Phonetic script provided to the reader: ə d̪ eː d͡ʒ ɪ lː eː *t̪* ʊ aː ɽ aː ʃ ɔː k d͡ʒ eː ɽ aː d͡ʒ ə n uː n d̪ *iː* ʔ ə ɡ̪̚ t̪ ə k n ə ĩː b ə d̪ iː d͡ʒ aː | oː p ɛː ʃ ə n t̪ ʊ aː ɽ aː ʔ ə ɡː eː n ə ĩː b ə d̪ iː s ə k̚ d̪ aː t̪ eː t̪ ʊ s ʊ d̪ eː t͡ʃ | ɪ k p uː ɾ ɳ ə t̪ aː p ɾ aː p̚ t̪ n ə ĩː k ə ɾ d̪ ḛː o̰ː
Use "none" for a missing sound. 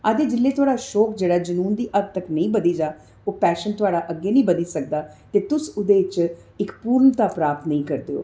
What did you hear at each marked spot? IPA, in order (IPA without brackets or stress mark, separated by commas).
t̪, iː